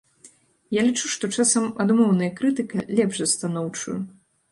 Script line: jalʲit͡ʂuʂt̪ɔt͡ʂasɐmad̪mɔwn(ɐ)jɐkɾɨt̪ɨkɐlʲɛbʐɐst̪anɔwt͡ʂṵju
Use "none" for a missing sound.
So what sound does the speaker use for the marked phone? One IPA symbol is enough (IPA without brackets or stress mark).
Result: ɐ